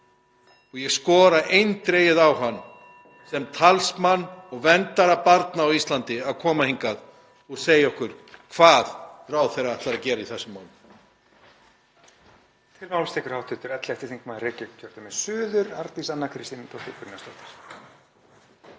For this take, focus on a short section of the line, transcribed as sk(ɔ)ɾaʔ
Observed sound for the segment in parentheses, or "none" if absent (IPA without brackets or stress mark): ɔː